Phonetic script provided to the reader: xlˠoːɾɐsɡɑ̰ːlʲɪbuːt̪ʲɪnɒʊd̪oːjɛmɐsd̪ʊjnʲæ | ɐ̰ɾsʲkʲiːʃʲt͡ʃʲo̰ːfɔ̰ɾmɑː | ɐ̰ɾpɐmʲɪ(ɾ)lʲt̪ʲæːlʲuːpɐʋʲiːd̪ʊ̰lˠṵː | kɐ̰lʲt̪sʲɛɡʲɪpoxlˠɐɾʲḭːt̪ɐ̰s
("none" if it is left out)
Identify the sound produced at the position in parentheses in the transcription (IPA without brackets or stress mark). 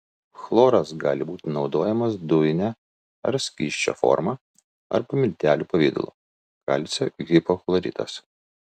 none